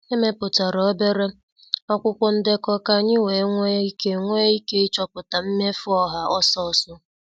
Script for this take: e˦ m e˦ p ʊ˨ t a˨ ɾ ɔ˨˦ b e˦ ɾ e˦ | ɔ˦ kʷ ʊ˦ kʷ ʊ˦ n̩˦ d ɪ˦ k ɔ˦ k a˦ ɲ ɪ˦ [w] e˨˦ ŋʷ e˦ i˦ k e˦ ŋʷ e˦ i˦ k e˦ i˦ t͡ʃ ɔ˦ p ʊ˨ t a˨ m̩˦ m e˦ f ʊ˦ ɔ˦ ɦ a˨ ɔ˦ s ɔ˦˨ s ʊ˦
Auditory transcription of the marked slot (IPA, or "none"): w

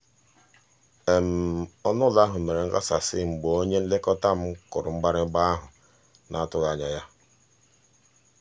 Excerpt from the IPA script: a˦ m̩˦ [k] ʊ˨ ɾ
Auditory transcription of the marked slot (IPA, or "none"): k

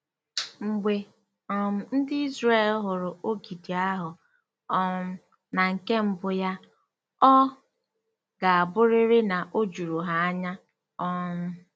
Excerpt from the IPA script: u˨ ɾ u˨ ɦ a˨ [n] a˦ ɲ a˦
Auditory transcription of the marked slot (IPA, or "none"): none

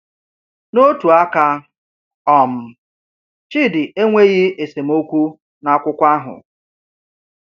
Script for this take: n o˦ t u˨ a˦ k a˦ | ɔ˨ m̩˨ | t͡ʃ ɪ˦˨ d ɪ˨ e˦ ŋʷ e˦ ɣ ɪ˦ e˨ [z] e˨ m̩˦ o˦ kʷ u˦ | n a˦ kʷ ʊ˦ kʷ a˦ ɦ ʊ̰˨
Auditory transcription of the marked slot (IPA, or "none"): s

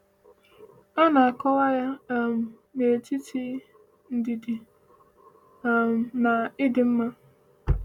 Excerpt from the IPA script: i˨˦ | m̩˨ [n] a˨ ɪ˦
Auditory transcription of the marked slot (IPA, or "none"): n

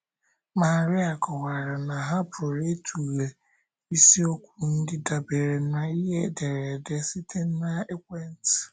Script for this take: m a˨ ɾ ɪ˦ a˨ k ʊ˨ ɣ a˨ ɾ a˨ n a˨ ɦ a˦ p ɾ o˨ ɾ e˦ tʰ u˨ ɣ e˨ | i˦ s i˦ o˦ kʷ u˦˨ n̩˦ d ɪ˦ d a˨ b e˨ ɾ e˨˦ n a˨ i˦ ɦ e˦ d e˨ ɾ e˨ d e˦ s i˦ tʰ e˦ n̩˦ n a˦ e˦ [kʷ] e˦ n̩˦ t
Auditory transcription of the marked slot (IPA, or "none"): kʷ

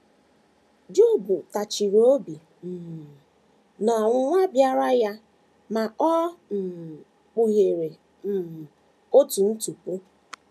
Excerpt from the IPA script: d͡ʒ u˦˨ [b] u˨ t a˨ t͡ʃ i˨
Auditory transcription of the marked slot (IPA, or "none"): b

